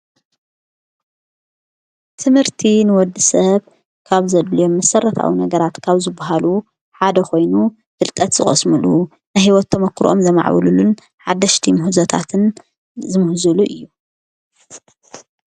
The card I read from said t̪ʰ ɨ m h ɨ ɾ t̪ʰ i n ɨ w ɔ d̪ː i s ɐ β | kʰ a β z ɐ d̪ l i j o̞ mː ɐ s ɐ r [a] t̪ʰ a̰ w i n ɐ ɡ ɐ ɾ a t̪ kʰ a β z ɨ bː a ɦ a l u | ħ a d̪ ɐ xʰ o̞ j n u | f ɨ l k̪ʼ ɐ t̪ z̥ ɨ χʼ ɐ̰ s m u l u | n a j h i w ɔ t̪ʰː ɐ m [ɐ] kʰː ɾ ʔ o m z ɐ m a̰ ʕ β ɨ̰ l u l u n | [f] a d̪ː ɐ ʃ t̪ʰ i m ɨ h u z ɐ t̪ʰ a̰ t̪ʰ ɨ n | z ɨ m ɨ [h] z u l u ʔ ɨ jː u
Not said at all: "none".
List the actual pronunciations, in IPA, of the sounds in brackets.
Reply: ɐ, ɐ, ħ, h

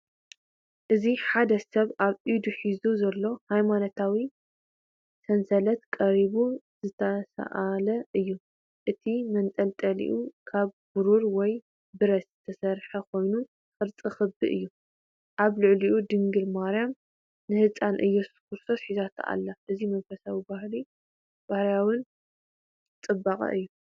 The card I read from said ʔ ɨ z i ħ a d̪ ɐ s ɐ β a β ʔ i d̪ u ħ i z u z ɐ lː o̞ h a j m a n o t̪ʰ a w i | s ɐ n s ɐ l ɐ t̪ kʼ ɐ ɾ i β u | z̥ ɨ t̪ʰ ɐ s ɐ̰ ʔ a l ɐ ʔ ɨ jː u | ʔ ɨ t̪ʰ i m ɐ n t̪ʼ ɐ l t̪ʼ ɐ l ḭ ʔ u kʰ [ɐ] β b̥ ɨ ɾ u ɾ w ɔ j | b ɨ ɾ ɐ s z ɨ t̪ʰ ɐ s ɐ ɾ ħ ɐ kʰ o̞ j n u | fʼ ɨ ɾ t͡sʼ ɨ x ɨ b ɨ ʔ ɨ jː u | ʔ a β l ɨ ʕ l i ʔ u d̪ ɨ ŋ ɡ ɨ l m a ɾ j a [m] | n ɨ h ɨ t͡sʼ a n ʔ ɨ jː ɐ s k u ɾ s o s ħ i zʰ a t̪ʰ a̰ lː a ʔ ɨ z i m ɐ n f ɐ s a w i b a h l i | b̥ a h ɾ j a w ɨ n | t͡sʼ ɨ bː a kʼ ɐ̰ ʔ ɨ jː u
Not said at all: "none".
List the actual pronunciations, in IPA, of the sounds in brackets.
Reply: a, m

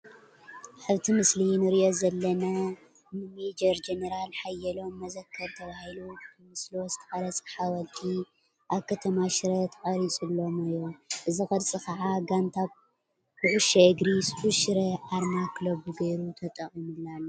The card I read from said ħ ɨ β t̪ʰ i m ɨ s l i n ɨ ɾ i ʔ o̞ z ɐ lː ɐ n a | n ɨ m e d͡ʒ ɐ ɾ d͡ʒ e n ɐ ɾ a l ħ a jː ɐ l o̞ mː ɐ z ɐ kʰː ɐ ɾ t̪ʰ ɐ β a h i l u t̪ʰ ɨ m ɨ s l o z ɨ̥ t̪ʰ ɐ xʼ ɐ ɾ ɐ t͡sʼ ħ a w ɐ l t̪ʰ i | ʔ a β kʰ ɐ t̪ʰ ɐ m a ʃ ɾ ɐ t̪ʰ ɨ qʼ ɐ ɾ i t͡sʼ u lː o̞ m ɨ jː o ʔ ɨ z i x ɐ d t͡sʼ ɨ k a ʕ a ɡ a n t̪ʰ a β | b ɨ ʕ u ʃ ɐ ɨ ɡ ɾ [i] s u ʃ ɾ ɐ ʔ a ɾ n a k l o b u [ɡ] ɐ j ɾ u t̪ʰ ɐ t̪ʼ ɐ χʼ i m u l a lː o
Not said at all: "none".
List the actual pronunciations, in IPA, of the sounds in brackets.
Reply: i, ɡ

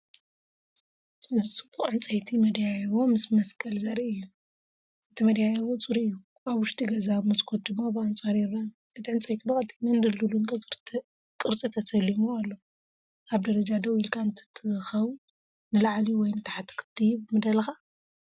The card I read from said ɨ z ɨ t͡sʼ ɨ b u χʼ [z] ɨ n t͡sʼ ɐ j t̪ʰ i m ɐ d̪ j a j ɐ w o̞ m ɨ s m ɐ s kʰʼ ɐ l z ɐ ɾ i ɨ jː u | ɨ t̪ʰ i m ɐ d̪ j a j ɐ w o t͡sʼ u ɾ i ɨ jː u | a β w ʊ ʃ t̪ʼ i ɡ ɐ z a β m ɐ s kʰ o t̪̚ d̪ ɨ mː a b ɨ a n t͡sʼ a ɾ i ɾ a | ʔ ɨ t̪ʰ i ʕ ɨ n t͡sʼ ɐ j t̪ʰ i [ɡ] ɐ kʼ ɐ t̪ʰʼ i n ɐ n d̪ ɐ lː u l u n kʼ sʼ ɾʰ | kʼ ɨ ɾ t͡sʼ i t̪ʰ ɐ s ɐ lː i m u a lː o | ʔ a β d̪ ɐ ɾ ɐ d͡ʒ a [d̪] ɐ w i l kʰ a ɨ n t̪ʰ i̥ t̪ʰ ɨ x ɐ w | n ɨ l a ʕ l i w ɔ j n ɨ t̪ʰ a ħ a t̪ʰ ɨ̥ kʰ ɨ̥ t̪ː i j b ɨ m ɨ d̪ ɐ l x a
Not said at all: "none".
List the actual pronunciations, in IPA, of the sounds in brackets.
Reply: ʕ, b, d̪

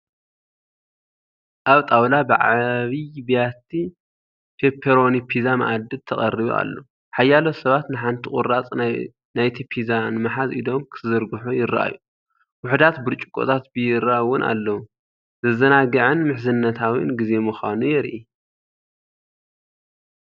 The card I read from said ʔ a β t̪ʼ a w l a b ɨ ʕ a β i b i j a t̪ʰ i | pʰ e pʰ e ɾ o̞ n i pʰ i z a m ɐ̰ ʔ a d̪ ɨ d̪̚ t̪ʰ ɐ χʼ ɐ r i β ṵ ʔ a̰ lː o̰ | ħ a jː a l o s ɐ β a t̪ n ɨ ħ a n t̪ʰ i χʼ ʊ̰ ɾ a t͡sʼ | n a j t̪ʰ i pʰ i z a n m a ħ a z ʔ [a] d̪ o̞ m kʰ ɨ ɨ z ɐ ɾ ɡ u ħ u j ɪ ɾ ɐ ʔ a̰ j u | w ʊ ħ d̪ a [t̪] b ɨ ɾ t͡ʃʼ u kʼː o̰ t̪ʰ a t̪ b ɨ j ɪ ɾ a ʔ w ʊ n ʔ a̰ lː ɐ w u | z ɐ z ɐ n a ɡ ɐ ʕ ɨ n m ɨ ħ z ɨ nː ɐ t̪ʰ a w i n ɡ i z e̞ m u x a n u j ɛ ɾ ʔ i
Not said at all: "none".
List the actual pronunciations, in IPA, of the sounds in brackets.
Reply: i, t̪

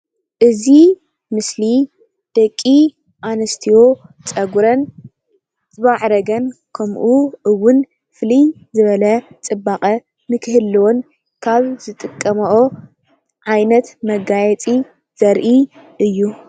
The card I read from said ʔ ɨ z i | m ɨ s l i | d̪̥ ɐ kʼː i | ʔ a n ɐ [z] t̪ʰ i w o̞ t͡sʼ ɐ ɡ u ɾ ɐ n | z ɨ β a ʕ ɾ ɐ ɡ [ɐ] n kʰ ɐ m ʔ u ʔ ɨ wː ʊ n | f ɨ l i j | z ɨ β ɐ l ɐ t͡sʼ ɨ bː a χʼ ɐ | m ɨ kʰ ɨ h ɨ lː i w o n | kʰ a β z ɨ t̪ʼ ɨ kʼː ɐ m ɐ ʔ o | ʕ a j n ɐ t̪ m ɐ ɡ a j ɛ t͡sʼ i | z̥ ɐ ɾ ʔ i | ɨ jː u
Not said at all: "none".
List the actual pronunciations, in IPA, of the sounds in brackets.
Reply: s, ɐ

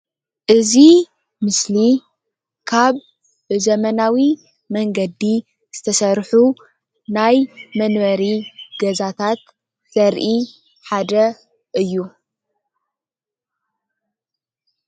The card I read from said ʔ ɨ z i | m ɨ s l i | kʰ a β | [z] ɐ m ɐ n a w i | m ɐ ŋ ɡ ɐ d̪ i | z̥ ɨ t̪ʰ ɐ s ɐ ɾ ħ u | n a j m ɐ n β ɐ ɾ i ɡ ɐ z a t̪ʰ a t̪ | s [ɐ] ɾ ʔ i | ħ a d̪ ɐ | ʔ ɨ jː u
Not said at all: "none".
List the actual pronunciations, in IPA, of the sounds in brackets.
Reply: z, ɐ

